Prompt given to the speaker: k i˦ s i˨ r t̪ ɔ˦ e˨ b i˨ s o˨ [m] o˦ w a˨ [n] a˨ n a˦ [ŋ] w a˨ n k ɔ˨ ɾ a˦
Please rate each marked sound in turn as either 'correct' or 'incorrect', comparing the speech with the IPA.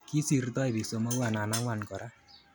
correct, correct, correct

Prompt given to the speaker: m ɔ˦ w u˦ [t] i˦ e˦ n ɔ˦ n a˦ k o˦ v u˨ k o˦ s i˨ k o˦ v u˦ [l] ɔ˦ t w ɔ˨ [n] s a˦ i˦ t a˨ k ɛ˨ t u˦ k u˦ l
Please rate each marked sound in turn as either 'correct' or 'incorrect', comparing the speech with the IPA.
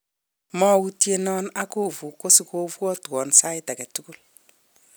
correct, incorrect: none, correct

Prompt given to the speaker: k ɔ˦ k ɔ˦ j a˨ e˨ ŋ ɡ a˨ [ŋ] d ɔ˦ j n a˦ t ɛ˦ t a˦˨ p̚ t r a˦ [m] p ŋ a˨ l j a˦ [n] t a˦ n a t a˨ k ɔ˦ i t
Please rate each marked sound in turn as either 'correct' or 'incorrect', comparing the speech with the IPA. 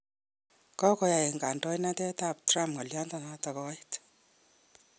incorrect: n, correct, correct

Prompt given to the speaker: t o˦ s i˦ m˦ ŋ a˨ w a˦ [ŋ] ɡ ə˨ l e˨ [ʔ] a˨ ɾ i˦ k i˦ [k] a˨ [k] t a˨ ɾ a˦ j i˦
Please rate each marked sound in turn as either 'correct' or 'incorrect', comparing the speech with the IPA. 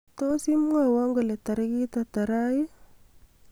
correct, incorrect: t, incorrect: t, incorrect: none

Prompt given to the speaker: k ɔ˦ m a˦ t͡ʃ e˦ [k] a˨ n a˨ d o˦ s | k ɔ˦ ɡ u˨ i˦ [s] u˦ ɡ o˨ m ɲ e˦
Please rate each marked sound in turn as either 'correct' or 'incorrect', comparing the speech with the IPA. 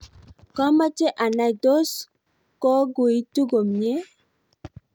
incorrect: ʔ, incorrect: t

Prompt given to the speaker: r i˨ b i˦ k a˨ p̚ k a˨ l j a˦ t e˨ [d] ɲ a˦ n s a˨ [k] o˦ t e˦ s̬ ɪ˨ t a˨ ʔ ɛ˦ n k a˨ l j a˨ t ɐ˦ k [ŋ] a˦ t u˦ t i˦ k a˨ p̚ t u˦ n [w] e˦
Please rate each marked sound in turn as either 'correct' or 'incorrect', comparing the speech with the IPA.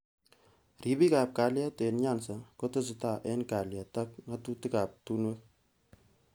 incorrect: n, correct, correct, correct

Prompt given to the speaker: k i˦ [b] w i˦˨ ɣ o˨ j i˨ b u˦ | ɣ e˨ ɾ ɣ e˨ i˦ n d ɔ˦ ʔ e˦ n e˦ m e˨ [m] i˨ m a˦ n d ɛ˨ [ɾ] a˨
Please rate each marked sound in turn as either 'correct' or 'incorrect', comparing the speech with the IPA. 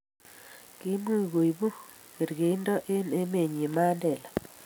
incorrect: m, incorrect: ɲ, incorrect: l

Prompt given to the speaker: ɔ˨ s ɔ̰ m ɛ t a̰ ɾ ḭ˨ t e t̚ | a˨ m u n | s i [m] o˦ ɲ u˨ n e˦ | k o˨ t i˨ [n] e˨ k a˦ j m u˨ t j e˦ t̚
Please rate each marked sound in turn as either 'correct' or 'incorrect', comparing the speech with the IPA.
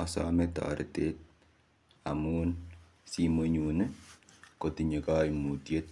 correct, incorrect: ɲ

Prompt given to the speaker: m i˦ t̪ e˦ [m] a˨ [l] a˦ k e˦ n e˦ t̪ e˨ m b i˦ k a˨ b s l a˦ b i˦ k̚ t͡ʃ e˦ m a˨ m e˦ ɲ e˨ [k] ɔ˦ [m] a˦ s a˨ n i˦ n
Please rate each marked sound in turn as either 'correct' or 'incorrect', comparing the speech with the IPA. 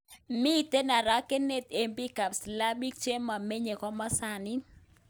incorrect: n, incorrect: ɾ, correct, correct

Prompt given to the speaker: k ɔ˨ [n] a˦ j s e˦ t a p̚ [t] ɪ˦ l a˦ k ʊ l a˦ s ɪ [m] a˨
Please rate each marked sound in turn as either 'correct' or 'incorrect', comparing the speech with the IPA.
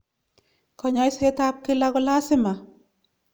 incorrect: ɲ, incorrect: k, correct

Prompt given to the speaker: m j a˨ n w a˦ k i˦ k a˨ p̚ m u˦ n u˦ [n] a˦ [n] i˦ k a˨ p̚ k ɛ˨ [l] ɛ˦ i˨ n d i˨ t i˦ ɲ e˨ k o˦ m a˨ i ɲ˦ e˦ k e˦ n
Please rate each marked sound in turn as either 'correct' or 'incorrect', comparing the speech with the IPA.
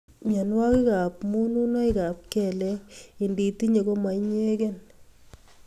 correct, incorrect: none, correct

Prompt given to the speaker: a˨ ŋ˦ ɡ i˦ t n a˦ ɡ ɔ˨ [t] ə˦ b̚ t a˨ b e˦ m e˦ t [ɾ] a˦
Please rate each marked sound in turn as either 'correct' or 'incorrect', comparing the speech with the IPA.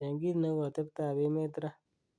correct, correct

